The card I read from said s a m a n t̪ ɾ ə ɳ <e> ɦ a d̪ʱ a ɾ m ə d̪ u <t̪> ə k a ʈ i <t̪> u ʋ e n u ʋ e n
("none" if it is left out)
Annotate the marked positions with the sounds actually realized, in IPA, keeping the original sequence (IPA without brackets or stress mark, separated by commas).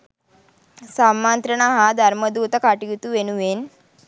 a, t̪, t̪